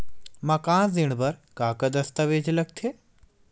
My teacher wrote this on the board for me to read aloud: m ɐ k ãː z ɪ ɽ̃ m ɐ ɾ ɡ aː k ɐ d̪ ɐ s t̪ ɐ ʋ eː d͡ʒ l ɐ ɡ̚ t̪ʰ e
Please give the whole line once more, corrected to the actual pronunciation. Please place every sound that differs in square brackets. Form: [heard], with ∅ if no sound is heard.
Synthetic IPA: m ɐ k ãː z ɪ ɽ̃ [b] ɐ ɾ [k] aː k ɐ d̪ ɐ s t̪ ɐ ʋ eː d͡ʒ l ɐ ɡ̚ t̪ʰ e